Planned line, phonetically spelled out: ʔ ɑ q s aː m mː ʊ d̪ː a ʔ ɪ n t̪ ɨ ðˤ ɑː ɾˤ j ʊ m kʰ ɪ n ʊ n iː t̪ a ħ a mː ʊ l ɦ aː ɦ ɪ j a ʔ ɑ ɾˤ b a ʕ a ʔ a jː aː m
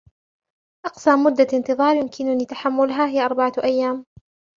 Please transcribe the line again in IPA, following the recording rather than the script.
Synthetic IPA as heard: ʔ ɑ q s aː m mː ʊ d̪ː a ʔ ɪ n t̪ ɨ ðˤ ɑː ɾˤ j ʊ m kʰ ɪ n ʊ n iː t̪ a ħ a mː ʊ l ɦ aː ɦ ɪ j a ʔ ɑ ɾˤ b a ʕ a ʔ a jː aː m